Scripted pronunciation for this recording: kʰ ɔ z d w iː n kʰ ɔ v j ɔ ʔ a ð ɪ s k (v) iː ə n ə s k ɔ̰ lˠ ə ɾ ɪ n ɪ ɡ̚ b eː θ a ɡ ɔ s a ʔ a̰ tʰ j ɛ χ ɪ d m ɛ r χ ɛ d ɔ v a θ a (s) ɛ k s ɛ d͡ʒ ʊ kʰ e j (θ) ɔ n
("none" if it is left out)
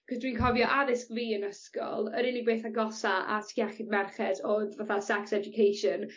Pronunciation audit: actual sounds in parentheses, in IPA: v, s, ʃ

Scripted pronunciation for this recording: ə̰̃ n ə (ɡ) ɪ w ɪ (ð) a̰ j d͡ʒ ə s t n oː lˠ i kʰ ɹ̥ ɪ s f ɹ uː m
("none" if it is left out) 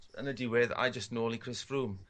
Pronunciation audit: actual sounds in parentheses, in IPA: d, ð

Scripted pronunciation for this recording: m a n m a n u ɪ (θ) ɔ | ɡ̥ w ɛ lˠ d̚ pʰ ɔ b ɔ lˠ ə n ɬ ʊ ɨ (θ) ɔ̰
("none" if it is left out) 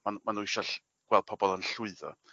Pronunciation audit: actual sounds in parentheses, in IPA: ʃ, ð

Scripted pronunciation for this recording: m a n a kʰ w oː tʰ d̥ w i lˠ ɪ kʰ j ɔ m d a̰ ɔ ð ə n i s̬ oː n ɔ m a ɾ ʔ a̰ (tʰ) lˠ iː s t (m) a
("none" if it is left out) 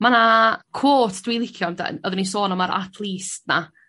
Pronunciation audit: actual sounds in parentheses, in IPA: tʰ, n

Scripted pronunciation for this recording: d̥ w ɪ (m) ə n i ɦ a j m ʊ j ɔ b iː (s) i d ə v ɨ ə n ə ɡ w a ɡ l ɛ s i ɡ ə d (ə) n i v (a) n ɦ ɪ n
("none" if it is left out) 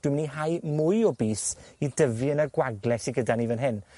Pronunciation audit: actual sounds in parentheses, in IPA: m, s, a, ə

